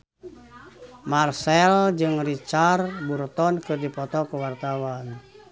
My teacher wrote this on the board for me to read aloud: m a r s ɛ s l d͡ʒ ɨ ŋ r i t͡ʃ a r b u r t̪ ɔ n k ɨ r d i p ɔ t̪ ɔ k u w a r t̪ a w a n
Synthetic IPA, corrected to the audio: m a r s ɛ l d͡ʒ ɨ ŋ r i t͡ʃ a r b u r t̪ ɔ n k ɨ r d i p ɔ t̪ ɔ k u w a r t̪ a w a n